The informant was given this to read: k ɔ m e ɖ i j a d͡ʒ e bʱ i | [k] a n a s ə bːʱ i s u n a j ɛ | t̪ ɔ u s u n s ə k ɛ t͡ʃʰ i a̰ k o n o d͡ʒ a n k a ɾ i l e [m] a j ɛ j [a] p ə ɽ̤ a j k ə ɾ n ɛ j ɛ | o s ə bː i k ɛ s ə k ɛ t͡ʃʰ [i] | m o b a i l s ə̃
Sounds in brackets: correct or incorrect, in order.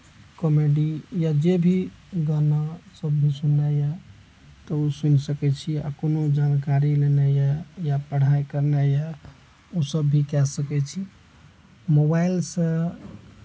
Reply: incorrect, incorrect, correct, correct

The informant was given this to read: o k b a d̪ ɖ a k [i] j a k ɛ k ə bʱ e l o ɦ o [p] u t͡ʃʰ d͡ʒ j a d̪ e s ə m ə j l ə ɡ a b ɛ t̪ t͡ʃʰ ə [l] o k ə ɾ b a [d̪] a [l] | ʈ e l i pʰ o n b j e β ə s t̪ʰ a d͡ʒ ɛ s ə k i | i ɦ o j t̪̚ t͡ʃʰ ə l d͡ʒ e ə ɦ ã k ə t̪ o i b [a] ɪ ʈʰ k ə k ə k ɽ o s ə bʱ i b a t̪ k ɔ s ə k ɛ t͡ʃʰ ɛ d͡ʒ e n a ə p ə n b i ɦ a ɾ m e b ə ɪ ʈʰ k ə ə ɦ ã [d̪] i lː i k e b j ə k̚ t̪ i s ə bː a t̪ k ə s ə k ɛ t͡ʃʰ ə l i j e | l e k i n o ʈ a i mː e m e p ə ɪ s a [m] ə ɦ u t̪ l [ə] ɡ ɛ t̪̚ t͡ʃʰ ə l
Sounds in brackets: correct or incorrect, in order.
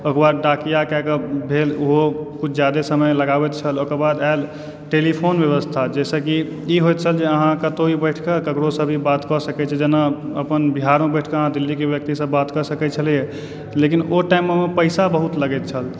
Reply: correct, incorrect, correct, correct, correct, incorrect, correct, incorrect, correct

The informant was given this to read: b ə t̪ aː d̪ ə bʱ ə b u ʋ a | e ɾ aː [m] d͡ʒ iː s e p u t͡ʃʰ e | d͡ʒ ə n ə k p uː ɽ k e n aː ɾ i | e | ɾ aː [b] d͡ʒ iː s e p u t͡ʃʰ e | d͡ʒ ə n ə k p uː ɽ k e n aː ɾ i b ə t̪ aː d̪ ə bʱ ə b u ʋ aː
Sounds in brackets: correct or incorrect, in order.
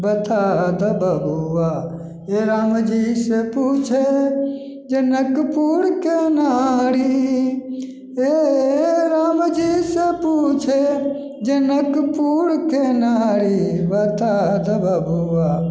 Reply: correct, incorrect

